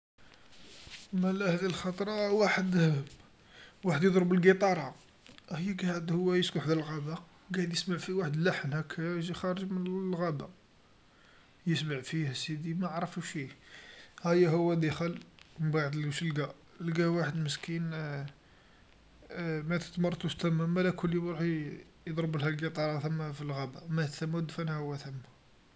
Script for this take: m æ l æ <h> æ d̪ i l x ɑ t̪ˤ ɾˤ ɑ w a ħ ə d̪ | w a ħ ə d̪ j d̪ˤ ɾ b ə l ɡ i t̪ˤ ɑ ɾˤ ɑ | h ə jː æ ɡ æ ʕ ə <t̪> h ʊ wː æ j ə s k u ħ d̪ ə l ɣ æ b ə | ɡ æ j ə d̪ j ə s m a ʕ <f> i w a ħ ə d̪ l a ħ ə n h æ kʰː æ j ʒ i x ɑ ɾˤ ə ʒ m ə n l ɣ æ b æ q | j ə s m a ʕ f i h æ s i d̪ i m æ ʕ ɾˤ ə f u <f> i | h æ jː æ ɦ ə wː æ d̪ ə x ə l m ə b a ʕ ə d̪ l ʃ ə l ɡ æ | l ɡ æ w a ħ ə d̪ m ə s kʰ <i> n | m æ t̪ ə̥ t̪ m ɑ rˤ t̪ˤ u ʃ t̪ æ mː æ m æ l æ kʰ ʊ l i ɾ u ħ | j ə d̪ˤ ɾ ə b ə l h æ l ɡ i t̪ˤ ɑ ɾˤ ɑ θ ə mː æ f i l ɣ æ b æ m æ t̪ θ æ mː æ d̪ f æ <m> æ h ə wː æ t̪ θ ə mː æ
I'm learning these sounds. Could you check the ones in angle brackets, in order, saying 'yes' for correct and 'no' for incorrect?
yes, no, yes, no, yes, no

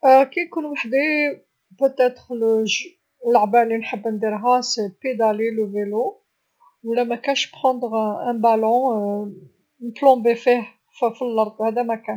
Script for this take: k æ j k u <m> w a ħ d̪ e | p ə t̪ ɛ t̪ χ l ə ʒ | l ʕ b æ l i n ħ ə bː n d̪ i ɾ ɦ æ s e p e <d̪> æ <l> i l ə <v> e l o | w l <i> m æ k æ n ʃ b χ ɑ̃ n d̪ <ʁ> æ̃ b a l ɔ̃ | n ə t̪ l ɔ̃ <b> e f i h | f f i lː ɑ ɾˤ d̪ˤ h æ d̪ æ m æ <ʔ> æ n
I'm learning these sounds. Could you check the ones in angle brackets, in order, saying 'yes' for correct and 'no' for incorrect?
no, yes, yes, yes, no, yes, yes, no

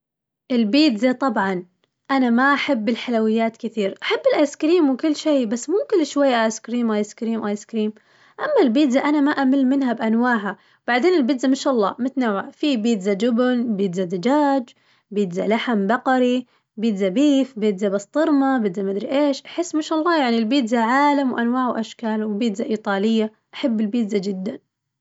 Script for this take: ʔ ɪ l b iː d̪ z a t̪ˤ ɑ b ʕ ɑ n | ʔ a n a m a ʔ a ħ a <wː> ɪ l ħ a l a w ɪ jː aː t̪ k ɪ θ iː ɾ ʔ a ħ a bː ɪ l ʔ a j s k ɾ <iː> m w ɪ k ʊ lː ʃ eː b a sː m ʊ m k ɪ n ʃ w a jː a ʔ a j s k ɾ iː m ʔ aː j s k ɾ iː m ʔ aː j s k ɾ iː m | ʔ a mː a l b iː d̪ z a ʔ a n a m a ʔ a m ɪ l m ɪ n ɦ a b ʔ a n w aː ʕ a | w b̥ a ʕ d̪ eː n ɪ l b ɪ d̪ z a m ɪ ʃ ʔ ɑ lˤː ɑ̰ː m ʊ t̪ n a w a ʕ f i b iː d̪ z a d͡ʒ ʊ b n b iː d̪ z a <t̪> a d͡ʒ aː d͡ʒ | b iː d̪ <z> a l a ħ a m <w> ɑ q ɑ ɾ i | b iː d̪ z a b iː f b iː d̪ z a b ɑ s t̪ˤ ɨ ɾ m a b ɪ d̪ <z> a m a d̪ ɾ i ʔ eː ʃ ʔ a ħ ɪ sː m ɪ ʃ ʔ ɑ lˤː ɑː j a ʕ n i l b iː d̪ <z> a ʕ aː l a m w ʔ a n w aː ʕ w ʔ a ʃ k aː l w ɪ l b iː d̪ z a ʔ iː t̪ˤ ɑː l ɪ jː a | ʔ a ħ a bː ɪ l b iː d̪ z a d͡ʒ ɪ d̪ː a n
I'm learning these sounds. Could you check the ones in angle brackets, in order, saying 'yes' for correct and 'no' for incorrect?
no, yes, no, yes, no, yes, yes

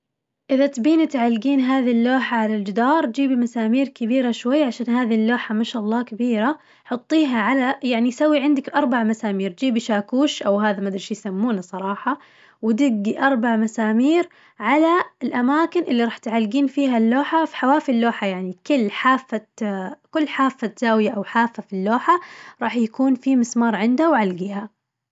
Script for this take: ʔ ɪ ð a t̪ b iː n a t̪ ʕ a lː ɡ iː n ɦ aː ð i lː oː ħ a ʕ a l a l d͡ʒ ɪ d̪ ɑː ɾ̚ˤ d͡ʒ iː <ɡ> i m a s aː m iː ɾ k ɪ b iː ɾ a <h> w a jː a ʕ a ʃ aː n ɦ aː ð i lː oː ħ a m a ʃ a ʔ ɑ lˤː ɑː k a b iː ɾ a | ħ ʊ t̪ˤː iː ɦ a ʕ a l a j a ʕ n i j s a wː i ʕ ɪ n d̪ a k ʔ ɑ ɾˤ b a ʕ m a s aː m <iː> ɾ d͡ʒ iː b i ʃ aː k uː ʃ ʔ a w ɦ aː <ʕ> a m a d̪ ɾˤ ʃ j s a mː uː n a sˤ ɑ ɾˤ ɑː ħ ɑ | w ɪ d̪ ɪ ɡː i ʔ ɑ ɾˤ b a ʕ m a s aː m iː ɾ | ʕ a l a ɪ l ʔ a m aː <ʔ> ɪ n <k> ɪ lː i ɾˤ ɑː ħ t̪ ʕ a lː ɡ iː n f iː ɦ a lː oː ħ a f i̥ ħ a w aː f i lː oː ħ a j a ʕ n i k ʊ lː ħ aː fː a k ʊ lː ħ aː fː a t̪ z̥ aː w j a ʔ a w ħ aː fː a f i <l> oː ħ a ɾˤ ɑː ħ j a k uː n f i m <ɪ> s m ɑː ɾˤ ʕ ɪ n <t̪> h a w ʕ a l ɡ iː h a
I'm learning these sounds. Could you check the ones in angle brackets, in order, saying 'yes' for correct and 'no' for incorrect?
no, no, yes, no, no, no, no, yes, no

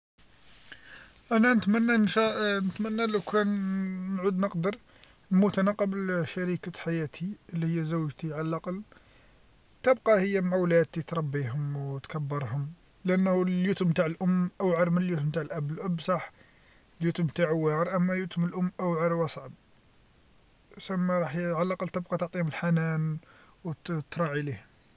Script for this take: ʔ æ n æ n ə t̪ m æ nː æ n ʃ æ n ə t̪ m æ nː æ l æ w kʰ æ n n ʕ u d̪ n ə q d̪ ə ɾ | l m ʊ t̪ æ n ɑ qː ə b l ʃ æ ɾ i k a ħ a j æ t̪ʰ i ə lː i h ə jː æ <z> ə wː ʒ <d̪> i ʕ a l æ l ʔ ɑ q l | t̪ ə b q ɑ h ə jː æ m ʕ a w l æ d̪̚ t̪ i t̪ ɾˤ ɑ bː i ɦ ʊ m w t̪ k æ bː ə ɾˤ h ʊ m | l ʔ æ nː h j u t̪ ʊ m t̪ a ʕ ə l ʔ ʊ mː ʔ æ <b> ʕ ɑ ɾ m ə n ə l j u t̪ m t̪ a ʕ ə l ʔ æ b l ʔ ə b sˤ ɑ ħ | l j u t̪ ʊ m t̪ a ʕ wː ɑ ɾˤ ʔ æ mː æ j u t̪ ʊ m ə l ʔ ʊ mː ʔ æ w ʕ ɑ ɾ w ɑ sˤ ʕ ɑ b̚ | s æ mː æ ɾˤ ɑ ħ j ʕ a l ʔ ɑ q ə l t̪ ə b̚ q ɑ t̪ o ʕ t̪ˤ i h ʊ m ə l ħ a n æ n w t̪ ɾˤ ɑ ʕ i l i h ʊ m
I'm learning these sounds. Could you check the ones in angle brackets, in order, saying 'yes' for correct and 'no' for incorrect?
yes, no, no

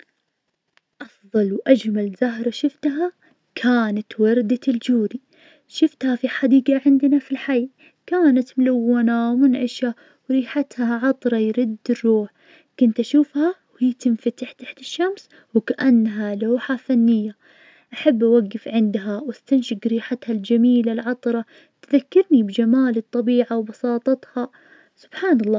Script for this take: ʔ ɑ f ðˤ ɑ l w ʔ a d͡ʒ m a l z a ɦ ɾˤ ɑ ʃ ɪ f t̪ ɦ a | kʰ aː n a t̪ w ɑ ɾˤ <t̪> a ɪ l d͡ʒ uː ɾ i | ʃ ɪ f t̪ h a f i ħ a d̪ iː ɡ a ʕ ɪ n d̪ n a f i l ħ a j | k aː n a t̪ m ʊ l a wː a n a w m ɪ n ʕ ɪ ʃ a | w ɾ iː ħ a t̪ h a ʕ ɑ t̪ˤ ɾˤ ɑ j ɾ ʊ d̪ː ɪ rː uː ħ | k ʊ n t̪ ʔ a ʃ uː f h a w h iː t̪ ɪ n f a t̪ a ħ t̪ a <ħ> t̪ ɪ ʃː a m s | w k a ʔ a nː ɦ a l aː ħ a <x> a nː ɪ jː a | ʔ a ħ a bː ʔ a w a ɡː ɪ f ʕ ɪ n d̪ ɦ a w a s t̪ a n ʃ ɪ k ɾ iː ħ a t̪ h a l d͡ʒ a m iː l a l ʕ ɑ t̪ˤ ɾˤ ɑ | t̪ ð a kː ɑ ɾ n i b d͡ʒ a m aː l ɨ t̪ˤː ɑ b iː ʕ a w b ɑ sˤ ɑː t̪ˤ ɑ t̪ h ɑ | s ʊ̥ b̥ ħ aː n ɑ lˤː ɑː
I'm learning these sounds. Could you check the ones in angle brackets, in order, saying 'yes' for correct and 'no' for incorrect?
no, yes, no

